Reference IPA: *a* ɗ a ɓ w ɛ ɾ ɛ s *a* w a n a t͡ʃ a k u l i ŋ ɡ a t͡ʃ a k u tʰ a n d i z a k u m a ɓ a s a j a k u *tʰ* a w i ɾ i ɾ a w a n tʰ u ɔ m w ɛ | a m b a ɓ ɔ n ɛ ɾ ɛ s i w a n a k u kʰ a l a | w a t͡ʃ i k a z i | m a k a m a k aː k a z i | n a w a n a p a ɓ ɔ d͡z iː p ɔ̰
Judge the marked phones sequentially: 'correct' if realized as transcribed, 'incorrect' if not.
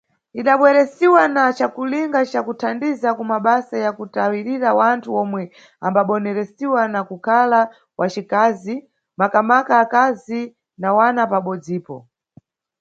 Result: incorrect, incorrect, incorrect

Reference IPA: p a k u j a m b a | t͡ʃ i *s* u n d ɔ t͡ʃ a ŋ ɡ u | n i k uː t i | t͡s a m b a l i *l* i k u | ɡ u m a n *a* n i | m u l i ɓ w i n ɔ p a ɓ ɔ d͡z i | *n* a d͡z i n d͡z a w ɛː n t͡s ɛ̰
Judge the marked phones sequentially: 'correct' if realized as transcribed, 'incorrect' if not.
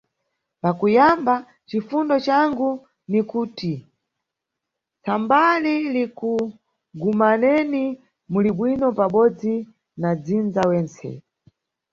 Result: incorrect, correct, incorrect, correct

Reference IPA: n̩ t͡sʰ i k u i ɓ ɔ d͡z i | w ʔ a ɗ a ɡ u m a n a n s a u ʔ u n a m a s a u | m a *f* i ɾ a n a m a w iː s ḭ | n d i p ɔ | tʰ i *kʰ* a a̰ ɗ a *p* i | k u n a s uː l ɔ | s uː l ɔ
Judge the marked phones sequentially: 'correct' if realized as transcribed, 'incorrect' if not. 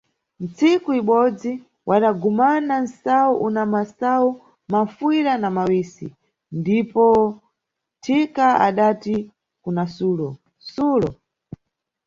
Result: correct, incorrect, incorrect

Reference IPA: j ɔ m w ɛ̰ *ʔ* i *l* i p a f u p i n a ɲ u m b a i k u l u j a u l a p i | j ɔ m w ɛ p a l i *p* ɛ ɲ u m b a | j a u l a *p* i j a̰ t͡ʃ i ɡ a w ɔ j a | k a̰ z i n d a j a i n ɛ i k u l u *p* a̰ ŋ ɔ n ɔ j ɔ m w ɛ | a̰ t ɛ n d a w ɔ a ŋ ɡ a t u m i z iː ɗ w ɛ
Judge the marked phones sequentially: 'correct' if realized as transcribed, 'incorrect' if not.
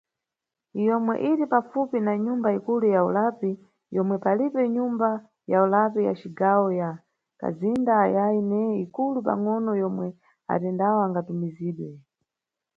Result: correct, incorrect, correct, correct, correct

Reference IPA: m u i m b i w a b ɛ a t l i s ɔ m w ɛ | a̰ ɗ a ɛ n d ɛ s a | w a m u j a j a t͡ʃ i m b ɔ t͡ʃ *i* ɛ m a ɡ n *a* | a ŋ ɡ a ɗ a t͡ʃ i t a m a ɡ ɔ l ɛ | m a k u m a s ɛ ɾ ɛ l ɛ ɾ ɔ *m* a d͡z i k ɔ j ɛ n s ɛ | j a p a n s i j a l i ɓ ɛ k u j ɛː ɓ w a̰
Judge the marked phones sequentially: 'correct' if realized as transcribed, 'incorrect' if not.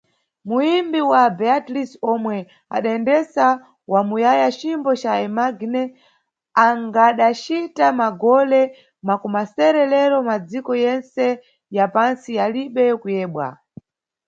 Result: incorrect, incorrect, correct

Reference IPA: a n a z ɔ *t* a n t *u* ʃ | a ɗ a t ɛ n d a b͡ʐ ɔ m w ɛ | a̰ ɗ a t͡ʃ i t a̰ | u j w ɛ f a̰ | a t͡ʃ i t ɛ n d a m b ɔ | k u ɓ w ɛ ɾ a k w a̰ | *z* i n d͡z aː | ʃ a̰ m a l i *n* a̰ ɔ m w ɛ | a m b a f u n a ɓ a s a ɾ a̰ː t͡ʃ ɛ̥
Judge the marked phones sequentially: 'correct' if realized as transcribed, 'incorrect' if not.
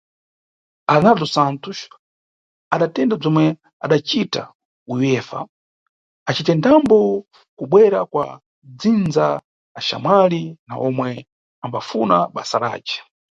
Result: incorrect, correct, incorrect, correct

